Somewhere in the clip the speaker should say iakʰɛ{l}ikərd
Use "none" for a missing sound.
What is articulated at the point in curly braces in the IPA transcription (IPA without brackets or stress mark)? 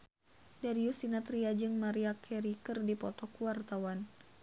ɾ